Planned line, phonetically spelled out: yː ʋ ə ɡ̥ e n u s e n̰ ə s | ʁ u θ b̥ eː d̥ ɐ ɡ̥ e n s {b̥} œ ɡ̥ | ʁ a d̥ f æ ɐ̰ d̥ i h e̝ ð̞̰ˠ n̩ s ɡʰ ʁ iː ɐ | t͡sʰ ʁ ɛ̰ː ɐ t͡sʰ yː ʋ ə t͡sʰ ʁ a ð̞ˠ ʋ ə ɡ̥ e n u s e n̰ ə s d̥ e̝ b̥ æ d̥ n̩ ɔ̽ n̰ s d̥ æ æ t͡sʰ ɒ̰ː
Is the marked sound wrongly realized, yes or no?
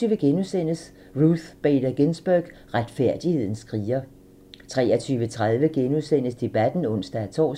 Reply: no